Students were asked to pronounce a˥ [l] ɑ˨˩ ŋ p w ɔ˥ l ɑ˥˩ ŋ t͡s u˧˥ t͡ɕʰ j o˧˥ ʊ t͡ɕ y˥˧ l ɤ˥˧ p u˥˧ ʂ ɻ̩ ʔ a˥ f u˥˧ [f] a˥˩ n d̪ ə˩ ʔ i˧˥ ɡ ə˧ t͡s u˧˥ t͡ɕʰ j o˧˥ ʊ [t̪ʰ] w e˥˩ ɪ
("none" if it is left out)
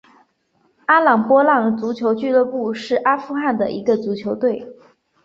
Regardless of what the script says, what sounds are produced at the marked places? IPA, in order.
l, x, t̪

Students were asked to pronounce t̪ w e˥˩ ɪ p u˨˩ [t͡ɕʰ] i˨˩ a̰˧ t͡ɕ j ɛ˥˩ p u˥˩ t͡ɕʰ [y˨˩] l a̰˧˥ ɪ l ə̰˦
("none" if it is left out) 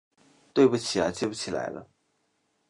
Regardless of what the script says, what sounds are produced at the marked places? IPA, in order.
t͡ɕʰ, i˨˩

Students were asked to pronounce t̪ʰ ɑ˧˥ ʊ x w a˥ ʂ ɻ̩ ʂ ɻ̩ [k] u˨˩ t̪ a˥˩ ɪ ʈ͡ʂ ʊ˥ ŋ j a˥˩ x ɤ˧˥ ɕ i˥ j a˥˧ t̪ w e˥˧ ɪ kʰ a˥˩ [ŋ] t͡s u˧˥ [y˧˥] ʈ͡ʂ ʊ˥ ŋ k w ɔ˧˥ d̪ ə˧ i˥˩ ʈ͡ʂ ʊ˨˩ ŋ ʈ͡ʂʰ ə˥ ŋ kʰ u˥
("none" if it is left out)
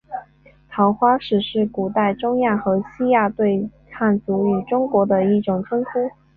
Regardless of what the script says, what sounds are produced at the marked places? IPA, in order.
k, n, y˨˩

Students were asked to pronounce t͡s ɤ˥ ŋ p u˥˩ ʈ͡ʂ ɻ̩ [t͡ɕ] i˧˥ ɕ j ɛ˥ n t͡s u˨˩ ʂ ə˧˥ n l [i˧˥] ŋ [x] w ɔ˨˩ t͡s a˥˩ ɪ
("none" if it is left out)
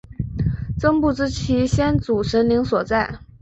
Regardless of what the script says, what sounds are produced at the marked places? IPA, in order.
t͡ɕʰ, i˧˥, s

